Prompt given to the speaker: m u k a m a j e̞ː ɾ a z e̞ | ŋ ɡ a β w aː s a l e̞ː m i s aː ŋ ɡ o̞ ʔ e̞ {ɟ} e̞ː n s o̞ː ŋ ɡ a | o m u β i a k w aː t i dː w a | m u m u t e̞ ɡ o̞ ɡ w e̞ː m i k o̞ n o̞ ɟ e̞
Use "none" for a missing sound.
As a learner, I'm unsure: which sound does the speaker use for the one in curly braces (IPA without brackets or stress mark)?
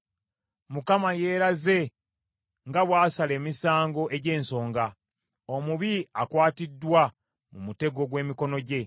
ɟ